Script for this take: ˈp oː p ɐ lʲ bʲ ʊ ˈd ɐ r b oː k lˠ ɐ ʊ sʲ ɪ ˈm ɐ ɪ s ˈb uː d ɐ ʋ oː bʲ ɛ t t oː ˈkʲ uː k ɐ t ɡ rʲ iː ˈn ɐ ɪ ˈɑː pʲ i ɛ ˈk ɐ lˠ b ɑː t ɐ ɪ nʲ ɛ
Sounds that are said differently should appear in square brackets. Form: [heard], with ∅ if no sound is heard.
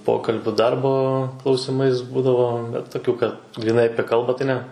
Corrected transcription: ˈp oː [k] ɐ lʲ bʲ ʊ ˈd ɐ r b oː k lˠ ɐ ʊ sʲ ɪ ˈm ɐ ɪ s ˈb uː d ɐ ʋ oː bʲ ɛ t t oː ˈkʲ uː k ɐ t ɡ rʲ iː ˈn ɐ ɪ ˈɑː pʲ i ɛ ˈk ɐ lˠ b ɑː t ɐ ɪ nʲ ɛ